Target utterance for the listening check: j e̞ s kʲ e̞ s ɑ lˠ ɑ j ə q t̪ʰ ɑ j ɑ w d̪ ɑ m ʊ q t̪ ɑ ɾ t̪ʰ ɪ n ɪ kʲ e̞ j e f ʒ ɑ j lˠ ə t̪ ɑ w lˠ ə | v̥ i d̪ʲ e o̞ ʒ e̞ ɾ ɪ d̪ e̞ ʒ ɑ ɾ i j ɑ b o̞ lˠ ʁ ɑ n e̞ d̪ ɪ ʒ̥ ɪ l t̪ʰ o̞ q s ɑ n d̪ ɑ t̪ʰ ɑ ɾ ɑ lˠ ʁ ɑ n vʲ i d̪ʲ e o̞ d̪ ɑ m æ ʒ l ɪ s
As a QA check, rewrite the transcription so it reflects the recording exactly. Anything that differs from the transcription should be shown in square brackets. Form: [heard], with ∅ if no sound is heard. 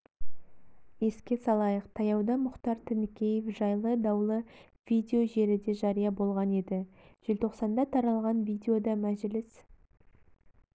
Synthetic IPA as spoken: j e̞ s kʲ e̞ s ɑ lˠ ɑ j ə q t̪ʰ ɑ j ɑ w d̪ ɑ m ʊ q t̪ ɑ ɾ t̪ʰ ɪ n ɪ kʲ e̞ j e f ʒ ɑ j lˠ ə [d̪] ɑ w lˠ ə | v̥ i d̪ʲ e o̞ ʒ e̞ ɾ ɪ d̪ e̞ ʒ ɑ ɾ i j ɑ b o̞ lˠ ʁ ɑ n e̞ d̪ ɪ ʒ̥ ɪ l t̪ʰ o̞ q s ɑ n d̪ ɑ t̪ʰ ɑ ɾ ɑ lˠ ʁ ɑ n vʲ i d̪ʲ e o̞ d̪ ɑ m æ ʒ l ɪ s